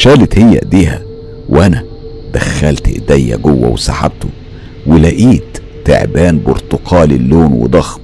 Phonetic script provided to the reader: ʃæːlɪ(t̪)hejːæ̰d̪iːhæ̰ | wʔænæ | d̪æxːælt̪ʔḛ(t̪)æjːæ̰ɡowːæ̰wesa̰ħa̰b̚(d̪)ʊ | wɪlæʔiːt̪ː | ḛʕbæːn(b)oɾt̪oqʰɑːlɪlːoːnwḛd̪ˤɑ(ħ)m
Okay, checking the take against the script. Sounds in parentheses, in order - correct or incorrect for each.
correct, incorrect, incorrect, correct, incorrect

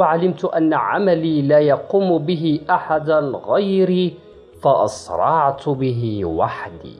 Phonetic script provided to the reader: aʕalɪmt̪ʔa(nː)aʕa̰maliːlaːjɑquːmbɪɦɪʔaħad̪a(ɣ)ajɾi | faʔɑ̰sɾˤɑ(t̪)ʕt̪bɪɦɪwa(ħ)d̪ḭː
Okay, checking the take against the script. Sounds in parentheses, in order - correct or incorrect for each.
correct, correct, incorrect, correct

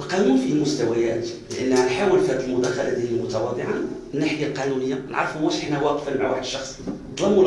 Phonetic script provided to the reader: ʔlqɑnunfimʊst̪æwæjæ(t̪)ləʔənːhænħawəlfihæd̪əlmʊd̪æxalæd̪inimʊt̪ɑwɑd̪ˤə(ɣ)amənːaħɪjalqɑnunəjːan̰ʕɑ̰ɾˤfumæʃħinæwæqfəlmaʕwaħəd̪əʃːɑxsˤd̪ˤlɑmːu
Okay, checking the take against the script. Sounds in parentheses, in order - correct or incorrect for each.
correct, incorrect

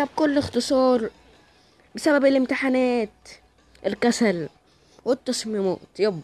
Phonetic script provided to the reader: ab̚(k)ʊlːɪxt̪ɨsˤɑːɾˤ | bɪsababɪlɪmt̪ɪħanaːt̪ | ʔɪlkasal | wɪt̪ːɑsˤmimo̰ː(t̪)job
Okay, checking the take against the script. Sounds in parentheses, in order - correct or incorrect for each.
correct, correct

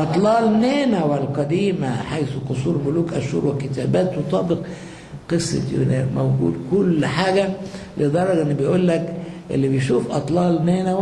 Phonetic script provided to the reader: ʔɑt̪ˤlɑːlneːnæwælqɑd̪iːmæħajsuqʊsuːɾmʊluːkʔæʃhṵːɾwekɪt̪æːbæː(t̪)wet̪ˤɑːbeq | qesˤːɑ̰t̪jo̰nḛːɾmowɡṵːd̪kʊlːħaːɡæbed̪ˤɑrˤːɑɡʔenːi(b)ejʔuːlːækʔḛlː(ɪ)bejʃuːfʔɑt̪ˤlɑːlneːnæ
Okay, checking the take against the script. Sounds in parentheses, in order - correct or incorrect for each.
correct, correct, incorrect

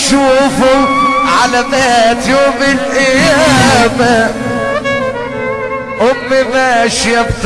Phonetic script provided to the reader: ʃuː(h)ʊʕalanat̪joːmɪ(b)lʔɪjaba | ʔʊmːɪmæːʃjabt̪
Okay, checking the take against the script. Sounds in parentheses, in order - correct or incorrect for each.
incorrect, incorrect

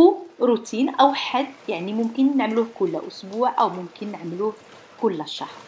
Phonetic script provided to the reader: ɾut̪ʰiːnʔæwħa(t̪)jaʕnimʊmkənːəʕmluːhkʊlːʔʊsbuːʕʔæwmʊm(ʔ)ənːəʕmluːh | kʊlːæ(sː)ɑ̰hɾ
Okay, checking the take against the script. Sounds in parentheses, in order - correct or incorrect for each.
incorrect, incorrect, incorrect

